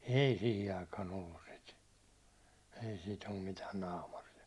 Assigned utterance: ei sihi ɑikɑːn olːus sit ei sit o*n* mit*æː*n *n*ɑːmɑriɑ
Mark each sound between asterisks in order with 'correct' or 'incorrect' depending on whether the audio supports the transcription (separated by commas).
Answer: incorrect, correct, correct